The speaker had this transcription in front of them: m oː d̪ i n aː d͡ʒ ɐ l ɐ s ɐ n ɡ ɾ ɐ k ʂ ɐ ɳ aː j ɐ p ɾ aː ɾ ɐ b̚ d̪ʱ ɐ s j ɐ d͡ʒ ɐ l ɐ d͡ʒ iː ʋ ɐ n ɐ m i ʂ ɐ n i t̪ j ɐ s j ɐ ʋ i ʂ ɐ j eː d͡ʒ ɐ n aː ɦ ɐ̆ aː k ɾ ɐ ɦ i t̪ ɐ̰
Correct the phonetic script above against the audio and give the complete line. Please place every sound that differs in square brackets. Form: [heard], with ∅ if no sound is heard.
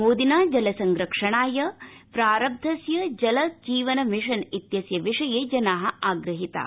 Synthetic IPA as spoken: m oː d̪ i n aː d͡ʒ ɐ l ɐ s ɐ [ŋ] ɡ ɾ ɐ k ʂ ɐ ɳ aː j ɐ p ɾ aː ɾ ɐ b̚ d̪ʱ ɐ s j ɐ d͡ʒ ɐ l ɐ d͡ʒ iː ʋ ɐ n ɐ m i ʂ ɐ n i t̪ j ɐ s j ɐ ʋ i ʂ ɐ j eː d͡ʒ ɐ n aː ɦ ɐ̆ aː [ɡ] ɾ ɐ ɦ i t̪ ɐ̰